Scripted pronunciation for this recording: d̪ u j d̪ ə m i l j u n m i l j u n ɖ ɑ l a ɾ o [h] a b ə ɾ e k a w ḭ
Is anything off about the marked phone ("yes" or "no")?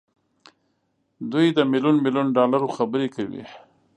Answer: yes